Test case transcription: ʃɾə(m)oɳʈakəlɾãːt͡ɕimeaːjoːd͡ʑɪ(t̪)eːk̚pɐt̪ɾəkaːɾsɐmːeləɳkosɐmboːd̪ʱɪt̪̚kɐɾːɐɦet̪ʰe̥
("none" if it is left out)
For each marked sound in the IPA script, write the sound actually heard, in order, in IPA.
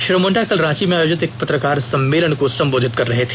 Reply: m, t̪

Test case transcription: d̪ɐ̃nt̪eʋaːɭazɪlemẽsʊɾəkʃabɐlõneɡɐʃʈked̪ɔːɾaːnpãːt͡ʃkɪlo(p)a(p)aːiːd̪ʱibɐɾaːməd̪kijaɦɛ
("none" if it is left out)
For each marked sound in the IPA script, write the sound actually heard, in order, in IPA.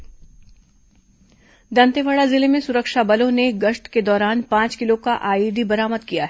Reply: k, ʔ

